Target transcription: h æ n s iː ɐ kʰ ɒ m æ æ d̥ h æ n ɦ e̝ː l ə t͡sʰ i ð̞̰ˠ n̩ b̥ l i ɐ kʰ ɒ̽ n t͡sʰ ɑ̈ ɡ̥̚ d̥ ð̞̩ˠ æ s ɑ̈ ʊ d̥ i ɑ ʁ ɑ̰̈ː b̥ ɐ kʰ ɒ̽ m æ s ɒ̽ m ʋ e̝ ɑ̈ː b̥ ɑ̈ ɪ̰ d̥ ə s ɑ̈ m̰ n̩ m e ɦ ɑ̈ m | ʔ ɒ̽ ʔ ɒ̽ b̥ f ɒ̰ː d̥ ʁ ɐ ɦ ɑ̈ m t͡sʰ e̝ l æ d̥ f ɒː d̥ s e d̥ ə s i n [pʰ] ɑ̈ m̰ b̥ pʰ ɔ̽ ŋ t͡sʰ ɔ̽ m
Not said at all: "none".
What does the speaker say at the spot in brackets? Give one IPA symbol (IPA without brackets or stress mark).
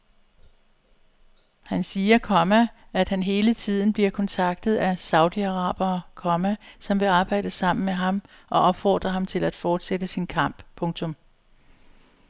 kʰ